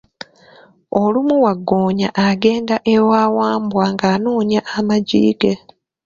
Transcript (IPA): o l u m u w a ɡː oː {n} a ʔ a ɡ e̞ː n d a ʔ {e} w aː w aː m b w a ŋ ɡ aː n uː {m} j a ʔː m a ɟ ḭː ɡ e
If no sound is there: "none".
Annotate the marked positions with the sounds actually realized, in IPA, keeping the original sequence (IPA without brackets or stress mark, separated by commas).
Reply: ɲ, e, ɲ